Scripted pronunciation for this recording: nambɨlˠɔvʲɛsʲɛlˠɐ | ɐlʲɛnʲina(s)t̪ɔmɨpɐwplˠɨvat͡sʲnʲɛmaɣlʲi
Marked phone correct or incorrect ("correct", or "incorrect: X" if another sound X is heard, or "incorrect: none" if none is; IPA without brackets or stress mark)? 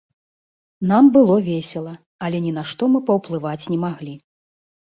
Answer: incorrect: ʂ